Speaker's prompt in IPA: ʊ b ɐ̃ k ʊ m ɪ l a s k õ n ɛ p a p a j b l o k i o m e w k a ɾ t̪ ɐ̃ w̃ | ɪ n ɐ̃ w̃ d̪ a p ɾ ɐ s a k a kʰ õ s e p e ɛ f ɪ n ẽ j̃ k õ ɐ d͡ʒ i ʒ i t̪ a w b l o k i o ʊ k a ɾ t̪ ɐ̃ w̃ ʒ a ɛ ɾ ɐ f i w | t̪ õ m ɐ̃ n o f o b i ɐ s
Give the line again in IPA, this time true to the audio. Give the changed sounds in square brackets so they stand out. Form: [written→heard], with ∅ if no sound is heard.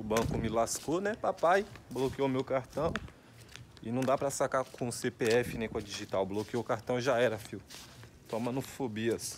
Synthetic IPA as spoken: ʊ b ɐ̃ k ʊ m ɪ l a s k [õ→o] n ɛ p a p a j b l o k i o m e w k a ɾ t̪ ɐ̃ w̃ | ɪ n ɐ̃ w̃ d̪ a p ɾ ɐ s a k a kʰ õ s e p e ɛ f ɪ n ẽ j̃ k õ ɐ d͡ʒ i ʒ i t̪ a w b l o k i o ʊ k a ɾ t̪ ɐ̃ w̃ ʒ a ɛ ɾ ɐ f i w | t̪ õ m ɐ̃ n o f o b i ɐ s